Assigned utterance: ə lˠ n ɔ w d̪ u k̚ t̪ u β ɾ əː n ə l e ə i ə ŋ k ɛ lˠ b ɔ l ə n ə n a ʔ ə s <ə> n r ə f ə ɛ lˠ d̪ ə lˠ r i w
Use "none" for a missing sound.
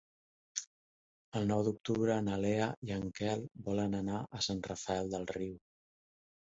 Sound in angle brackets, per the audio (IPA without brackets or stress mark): a